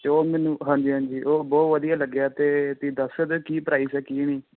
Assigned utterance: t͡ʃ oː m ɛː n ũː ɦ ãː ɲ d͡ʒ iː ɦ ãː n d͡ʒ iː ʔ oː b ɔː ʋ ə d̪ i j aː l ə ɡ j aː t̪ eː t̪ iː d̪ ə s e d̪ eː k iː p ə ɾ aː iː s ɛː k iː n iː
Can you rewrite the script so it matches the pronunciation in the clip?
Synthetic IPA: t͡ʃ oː m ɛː n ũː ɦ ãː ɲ d͡ʒ iː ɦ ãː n d͡ʒ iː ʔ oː b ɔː ʋ ə d̪ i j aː l ə ɡ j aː t̪ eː t̪ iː d̪ ə s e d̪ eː k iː p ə ɾ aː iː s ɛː k iː n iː